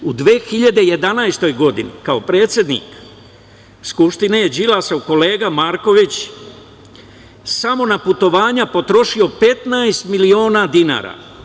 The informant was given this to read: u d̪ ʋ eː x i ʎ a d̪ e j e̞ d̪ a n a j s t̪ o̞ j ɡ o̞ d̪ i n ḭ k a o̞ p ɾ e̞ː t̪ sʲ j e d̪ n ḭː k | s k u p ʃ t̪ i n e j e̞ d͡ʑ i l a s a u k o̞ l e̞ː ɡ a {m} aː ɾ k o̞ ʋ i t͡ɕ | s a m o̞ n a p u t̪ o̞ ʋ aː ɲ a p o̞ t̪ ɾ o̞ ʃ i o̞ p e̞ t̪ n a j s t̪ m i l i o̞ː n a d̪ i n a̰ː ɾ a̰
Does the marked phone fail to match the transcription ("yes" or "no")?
no